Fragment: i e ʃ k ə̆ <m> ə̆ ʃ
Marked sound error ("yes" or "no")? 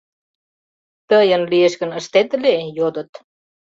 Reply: yes